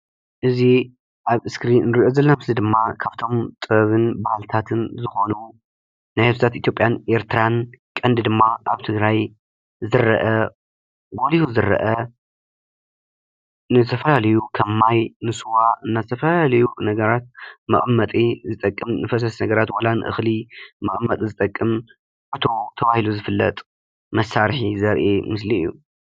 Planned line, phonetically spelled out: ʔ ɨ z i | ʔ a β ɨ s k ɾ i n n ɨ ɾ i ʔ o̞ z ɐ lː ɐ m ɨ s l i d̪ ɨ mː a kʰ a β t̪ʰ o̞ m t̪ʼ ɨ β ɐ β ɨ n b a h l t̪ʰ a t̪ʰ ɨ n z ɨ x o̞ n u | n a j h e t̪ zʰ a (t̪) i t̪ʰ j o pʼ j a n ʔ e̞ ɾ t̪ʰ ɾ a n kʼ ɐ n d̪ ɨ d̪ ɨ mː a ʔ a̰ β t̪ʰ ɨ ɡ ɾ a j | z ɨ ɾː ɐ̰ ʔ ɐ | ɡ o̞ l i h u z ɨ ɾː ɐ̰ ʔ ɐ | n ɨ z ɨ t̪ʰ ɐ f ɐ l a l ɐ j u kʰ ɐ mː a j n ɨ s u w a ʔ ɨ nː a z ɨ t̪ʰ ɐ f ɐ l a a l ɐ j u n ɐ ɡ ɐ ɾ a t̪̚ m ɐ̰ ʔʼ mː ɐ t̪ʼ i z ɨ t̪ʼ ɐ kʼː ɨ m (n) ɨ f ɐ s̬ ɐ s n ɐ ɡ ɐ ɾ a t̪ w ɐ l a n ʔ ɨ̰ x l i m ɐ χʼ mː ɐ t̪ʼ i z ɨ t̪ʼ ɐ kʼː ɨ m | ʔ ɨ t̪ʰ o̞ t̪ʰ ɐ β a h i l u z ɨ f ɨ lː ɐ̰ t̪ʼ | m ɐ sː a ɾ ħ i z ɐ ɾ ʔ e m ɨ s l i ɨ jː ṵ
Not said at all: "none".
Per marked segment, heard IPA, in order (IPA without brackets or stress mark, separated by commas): t̪, n